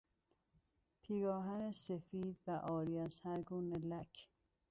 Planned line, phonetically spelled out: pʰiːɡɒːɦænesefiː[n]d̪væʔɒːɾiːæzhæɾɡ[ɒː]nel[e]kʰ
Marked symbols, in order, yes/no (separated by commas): no, no, no